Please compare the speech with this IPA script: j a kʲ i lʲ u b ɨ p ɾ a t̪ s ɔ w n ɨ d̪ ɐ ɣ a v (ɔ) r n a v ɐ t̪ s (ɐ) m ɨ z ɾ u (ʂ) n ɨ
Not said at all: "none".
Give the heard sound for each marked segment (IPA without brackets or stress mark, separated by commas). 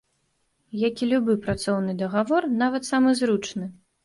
ɔ, a, t͡ʂ